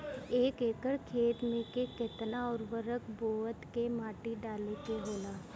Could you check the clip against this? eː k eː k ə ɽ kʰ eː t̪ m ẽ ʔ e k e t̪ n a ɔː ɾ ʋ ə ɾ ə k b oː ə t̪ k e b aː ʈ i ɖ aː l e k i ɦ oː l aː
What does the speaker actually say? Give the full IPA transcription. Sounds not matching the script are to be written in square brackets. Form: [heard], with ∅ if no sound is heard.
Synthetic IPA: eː k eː k ə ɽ kʰ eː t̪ m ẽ [k] e k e t̪ n a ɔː ɾ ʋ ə ɾ ə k b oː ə t̪ k e [m] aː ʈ i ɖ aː l e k [e] ɦ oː l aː